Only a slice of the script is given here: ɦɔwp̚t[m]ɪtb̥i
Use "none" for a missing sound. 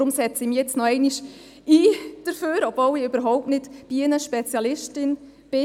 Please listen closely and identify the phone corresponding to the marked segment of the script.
n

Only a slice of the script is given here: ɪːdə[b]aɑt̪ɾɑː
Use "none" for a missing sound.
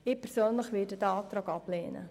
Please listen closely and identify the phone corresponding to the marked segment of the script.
d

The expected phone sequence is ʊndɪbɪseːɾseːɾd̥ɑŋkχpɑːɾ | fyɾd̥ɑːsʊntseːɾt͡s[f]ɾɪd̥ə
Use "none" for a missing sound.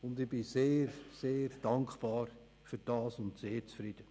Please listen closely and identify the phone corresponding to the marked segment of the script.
f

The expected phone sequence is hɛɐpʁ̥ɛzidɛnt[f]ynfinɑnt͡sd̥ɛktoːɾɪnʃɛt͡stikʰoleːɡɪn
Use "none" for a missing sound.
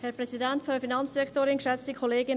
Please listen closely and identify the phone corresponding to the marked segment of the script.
f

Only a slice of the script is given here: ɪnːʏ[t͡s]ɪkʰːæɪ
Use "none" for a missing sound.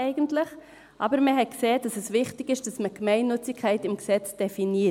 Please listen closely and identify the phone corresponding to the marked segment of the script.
t͡s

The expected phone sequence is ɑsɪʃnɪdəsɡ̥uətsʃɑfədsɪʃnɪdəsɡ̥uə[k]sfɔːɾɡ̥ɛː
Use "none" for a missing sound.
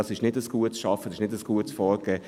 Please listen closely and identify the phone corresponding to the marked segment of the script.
t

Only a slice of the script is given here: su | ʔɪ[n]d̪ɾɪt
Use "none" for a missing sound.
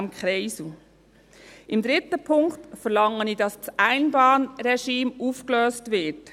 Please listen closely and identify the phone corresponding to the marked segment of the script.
m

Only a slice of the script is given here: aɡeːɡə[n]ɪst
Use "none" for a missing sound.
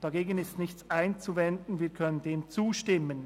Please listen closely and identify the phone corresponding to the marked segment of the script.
n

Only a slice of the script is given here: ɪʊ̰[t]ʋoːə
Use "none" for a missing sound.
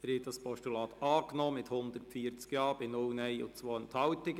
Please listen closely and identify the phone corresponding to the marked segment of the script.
t͡s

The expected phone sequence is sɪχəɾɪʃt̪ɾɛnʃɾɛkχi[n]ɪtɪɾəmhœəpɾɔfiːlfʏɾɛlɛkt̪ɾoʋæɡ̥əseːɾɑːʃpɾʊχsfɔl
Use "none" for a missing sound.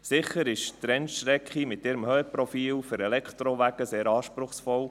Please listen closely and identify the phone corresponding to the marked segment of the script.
m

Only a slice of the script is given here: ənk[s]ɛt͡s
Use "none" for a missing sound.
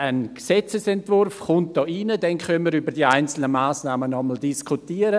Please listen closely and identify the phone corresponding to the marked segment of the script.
s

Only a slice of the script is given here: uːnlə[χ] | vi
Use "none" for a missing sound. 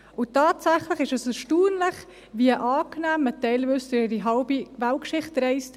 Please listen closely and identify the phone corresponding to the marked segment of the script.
χ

